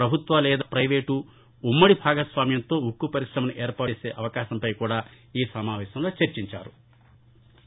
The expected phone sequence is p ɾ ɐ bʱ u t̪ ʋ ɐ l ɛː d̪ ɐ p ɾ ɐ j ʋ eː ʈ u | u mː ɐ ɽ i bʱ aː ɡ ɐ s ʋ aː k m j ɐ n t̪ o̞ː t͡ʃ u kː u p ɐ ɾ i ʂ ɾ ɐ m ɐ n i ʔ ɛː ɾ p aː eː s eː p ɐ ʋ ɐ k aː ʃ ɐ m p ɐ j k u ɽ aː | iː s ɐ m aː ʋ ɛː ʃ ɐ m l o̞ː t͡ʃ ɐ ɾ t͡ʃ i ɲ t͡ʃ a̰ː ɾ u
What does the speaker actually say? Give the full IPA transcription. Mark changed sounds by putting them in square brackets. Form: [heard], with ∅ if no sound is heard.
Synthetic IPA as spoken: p ɾ ɐ bʱ u t̪ ʋ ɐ l ɛː d̪ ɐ p ɾ ɐ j ʋ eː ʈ u | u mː ɐ ɽ i bʱ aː ɡ ɐ s ʋ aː [∅] m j ɐ n t̪ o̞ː [∅] u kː u p ɐ ɾ i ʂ ɾ ɐ m ɐ n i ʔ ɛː ɾ p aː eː s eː [ʔ] ɐ ʋ ɐ k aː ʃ ɐ m p ɐ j k [uː] ɽ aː | iː s ɐ m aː ʋ ɛː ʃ ɐ m l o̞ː t͡ʃ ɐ ɾ t͡ʃ i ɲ t͡ʃ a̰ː ɾ u